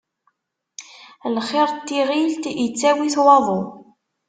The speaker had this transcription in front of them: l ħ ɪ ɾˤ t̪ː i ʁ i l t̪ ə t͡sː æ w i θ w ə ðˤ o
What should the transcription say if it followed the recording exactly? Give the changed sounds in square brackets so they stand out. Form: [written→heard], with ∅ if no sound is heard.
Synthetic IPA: l [ħ→χ] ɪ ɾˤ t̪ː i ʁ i l t̪ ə t͡sː æ w i θ w [ə→ɑ] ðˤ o